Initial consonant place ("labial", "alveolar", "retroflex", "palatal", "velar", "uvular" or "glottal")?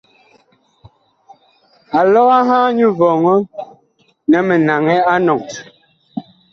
alveolar